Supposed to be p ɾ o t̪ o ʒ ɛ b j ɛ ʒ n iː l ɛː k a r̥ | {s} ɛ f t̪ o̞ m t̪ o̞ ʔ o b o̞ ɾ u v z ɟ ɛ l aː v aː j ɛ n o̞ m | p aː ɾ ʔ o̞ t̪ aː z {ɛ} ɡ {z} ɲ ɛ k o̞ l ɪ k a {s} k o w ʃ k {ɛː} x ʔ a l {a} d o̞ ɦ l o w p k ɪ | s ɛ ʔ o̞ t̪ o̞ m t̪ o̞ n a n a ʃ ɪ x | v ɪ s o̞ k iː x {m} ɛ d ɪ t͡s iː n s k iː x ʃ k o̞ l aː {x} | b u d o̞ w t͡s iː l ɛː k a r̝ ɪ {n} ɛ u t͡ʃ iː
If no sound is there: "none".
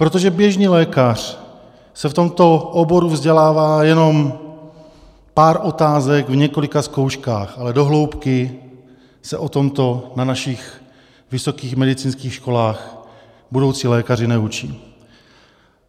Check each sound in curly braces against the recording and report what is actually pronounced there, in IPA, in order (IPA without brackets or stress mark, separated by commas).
s, ɛ, v, s, aː, ɛ, m, x, n